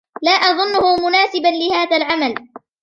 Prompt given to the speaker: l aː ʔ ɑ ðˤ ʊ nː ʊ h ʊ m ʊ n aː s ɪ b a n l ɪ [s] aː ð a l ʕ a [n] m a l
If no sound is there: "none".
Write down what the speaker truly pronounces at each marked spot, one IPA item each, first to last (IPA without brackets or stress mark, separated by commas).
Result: h, none